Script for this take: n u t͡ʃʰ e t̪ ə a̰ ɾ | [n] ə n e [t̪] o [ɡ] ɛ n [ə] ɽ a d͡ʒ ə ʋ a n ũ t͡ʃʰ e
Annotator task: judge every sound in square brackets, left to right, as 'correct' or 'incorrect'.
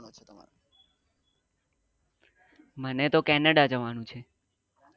incorrect: m, correct, incorrect: k, correct

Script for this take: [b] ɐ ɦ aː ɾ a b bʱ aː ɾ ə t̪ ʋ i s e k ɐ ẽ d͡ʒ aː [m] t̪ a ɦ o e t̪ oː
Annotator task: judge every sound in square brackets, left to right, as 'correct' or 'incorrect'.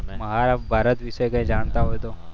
incorrect: m, incorrect: n

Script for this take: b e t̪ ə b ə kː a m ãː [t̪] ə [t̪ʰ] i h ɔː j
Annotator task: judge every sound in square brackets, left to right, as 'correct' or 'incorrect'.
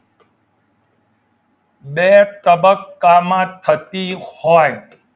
incorrect: t̪ʰ, incorrect: t̪

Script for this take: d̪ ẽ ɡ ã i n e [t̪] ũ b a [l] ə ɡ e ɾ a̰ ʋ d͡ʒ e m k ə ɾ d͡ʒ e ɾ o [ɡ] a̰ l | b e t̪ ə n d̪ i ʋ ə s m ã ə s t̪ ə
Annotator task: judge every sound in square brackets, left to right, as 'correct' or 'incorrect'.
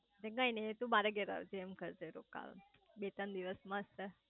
correct, incorrect: ɾ, incorrect: k

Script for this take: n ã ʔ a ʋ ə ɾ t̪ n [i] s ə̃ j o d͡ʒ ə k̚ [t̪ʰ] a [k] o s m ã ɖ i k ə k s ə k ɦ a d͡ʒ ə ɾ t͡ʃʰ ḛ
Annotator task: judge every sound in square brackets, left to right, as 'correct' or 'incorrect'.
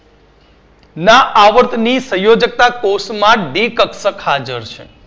correct, incorrect: t̪, correct

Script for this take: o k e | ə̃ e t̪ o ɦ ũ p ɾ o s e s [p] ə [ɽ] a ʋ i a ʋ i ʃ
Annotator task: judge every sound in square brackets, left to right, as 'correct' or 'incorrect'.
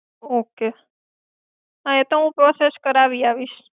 incorrect: k, incorrect: ɾ

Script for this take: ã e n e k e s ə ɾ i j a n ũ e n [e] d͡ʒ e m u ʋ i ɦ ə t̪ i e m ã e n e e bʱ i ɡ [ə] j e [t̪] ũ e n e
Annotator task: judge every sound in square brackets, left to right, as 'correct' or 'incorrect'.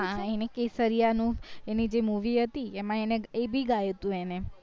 incorrect: i, incorrect: a, correct

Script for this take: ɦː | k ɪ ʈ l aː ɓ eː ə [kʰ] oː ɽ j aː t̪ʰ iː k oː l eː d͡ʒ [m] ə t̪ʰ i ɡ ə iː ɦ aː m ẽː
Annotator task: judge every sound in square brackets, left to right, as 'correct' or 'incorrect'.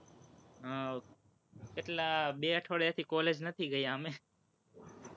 incorrect: ʈʰ, incorrect: n

